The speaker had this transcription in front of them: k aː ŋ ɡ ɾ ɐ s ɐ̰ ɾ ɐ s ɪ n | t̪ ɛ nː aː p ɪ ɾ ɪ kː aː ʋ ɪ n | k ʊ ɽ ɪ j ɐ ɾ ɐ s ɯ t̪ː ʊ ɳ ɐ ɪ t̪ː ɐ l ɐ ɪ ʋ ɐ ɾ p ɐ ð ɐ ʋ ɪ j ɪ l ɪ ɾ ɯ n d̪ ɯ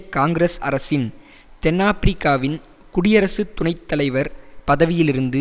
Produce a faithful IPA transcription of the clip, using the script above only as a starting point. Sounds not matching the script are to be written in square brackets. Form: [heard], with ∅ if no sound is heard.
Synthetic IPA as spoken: k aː ŋ ɡ ɾ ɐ s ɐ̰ ɾ ɐ s ɪ n | t̪ ɛ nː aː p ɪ ɾ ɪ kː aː ʋ ɪ n | k ʊ ɽ ɪ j ɐ ɾ ɐ s ɯ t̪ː ʊ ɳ ɐ ɪ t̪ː ɐ l ɐ ɪ ʋ ɐ ɾ p ɐ ð ɐ ʋ ɪ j ɪ l ɪ ɾ ɯ n d̪ ɯ